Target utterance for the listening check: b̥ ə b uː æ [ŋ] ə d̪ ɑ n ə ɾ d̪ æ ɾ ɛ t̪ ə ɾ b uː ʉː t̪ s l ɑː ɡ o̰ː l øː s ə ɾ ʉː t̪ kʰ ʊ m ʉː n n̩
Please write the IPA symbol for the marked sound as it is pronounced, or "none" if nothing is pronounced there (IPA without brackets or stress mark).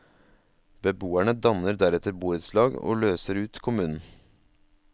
ɳ